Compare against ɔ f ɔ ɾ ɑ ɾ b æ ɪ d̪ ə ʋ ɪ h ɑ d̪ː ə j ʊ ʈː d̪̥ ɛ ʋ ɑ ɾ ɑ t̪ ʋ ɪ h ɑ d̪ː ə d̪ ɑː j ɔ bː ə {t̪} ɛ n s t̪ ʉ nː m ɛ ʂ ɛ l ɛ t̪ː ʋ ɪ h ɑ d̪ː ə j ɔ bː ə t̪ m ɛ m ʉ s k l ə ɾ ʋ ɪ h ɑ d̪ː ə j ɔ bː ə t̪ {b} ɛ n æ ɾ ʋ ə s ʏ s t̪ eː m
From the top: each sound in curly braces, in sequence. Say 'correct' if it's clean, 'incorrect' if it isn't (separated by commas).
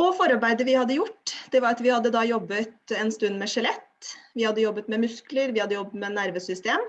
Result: correct, incorrect